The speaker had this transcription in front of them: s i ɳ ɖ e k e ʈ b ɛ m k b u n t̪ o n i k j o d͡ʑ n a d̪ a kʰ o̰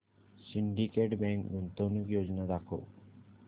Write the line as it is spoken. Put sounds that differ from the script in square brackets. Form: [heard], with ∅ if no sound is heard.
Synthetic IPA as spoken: s i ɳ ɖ [i] k e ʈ b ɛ [ŋ] k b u n t̪ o n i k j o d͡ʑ n a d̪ a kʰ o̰